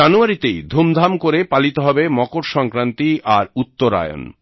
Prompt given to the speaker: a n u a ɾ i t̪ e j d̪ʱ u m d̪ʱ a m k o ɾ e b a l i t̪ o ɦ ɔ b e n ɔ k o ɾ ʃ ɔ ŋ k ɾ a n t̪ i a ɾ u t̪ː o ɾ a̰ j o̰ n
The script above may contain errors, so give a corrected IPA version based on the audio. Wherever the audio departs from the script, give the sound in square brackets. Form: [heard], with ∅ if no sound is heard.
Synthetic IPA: a n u a ɾ i t̪ e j d̪ʱ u m d̪ʱ a m k o ɾ e [p] a l i t̪ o ɦ ɔ b e [m] ɔ k o ɾ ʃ ɔ ŋ k ɾ a n t̪ i a ɾ u t̪ː o ɾ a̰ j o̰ n